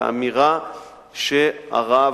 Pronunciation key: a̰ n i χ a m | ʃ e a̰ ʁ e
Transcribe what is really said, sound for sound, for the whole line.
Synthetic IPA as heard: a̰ m i ʁ a | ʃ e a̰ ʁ a